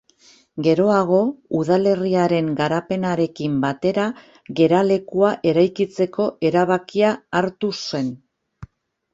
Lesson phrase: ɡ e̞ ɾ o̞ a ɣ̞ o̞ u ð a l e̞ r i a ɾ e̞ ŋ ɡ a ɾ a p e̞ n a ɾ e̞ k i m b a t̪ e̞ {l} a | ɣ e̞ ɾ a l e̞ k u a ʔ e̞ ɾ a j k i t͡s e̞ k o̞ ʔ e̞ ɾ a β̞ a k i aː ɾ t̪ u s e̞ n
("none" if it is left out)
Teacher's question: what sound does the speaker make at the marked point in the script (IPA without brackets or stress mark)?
ɾ